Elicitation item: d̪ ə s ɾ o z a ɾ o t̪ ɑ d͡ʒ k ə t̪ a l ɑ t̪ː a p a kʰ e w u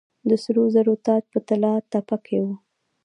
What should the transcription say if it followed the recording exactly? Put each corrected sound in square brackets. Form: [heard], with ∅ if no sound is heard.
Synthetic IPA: d̪ ə s ɾ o z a ɾ o t̪ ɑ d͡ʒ [p] ə t̪ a l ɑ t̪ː a p a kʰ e w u